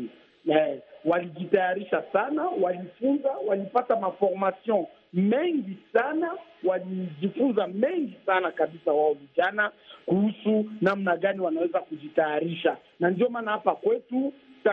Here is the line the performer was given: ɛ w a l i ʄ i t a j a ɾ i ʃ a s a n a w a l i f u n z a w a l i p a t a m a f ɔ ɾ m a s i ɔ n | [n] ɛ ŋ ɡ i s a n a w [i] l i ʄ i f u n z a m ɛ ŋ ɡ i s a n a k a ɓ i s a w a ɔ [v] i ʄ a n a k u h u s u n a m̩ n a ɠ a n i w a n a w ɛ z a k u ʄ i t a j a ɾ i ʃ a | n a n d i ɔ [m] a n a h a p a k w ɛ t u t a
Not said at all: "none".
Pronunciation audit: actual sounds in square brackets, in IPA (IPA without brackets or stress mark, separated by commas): m, a, v, m